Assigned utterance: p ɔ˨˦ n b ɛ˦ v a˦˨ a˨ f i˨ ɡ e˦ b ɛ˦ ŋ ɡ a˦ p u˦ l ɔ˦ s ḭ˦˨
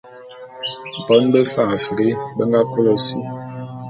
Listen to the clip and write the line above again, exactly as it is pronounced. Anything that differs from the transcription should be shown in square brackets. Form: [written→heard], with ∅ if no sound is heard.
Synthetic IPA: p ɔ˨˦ n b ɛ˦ [v→f] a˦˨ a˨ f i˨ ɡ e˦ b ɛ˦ ŋ ɡ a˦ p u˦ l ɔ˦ s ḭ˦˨